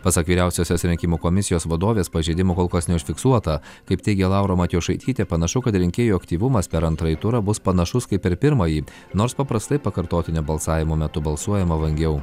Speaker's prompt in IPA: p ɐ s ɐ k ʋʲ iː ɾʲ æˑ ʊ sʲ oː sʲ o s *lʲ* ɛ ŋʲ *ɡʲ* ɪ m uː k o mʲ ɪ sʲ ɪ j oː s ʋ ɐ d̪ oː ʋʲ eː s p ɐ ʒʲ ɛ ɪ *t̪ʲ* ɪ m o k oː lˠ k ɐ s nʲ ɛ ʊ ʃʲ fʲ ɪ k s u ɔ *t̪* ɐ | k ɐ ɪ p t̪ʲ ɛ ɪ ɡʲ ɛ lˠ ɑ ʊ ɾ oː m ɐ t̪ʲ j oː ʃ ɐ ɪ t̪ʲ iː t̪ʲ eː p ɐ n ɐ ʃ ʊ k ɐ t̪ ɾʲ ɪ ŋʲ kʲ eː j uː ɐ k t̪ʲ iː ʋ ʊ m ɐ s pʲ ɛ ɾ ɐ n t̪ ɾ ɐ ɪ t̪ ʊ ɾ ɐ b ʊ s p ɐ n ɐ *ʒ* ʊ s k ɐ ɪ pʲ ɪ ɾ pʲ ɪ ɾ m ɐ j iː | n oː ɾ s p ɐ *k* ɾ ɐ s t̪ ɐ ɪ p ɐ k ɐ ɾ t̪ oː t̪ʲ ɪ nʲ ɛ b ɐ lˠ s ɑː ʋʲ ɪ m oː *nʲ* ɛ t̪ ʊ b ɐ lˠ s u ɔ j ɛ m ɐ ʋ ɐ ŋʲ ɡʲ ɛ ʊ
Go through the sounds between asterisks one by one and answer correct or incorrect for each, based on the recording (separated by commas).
incorrect, incorrect, incorrect, correct, incorrect, incorrect, incorrect